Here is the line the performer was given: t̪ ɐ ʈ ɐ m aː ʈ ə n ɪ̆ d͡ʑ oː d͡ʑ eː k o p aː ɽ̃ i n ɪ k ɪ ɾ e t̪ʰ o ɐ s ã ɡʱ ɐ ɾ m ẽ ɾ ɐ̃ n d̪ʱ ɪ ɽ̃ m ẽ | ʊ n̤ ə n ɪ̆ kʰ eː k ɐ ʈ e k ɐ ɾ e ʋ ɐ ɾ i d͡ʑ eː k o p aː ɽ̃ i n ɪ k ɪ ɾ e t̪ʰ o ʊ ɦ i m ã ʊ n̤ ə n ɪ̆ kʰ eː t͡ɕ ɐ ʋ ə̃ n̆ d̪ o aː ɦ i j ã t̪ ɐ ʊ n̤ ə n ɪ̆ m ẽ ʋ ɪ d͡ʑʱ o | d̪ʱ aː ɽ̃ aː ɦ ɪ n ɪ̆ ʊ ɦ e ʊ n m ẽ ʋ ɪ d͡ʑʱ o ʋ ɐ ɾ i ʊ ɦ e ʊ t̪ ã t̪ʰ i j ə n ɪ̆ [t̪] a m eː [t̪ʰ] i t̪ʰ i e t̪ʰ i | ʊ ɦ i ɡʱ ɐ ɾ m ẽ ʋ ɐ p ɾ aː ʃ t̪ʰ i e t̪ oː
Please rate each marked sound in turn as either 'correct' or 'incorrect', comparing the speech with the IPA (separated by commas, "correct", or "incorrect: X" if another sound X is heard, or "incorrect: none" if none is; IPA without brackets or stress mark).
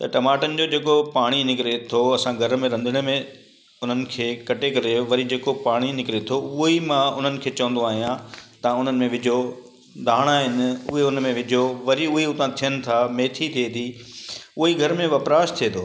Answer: incorrect: t̪ʰ, correct